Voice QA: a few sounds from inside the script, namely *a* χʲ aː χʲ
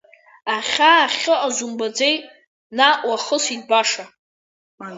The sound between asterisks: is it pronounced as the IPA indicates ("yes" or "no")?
yes